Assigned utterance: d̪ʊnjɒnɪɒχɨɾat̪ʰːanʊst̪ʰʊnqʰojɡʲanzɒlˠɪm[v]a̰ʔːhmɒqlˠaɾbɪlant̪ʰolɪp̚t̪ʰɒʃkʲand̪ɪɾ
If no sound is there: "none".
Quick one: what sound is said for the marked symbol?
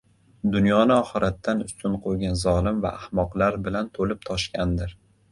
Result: v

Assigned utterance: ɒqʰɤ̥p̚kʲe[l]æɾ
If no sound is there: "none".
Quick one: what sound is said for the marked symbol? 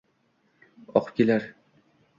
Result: l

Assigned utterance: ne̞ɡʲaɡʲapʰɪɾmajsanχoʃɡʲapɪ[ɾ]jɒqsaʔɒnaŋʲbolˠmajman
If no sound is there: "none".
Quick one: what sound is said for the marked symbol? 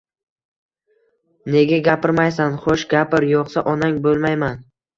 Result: ɾ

